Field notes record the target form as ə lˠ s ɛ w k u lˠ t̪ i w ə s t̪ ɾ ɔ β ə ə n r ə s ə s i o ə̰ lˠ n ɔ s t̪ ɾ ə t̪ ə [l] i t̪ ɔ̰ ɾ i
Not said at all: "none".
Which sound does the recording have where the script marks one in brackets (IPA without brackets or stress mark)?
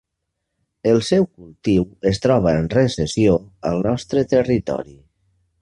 r